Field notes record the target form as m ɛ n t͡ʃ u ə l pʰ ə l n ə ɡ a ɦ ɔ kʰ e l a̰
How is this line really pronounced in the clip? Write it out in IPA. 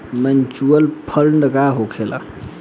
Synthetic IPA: m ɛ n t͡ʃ u ə l pʰ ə l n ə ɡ a ɦ o kʰ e l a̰